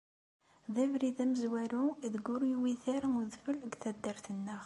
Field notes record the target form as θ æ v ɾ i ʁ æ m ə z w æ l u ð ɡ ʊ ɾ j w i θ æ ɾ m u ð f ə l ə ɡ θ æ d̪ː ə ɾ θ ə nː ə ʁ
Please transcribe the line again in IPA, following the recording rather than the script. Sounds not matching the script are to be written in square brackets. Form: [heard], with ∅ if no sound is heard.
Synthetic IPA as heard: [ð] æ v ɾ i [ð] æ m ə z w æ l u ð ɡ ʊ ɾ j w i θ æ ɾ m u ð f ə l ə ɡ θ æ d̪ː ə ɾ θ ə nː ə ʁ

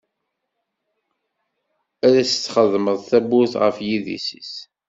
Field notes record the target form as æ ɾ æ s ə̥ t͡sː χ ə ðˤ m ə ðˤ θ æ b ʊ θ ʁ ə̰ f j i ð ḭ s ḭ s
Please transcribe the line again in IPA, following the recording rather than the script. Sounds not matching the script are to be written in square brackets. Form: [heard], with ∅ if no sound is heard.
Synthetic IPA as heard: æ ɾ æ s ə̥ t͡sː χ ə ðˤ m ə ðˤ θ æ b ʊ θ ʁ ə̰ f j i ð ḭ s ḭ s

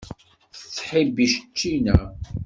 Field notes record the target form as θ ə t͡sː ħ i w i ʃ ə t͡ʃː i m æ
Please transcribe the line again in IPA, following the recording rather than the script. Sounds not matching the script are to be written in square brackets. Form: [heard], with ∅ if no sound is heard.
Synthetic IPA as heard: θ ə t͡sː ħ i [b] i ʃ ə t͡ʃː i [n] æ

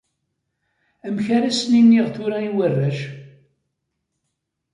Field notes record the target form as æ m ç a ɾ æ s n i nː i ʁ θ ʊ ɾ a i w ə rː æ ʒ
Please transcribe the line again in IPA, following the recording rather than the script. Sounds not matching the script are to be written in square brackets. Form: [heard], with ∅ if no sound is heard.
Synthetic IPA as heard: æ m ç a ɾ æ s n i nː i ʁ θ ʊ ɾ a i w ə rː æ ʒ

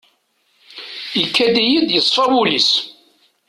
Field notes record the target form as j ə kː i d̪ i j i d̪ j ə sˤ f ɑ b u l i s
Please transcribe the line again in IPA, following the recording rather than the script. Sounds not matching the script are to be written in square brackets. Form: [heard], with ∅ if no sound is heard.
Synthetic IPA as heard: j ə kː [æ] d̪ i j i d̪ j ə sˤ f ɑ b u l i s

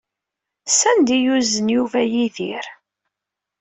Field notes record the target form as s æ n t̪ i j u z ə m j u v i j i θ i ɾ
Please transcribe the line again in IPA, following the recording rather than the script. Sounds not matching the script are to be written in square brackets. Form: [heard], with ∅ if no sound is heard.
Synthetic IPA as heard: s æ n [d̪] i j u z ə [n] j u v [æ] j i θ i ɾ

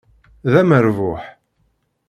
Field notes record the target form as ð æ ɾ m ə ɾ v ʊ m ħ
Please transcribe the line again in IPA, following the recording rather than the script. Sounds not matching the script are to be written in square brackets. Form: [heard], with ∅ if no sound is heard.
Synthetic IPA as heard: ð æ [∅] m ə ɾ v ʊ [∅] ħ

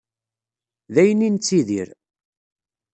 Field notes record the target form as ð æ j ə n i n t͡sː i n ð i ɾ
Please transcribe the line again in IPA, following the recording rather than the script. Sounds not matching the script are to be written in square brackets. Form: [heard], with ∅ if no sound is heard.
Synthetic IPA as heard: ð æ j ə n i n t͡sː i [∅] ð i ɾ

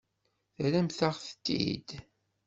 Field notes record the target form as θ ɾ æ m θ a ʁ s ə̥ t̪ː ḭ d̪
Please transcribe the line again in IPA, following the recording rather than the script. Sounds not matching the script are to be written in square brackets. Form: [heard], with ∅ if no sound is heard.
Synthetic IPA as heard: θ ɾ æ m θ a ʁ [θ] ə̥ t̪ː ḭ d̪

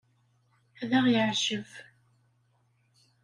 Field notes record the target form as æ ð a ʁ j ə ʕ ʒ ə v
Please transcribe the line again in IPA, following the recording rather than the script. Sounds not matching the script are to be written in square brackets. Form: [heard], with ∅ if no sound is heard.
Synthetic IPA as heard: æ ð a ʁ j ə ʕ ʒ ə v

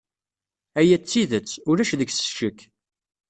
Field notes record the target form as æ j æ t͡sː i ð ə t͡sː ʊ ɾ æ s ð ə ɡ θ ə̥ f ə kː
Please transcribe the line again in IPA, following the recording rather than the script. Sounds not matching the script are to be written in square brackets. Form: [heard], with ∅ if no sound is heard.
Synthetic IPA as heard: æ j æ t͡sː i ð ə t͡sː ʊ ɾ æ [ʃ] ð ə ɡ [s] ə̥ [ʃ] ə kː

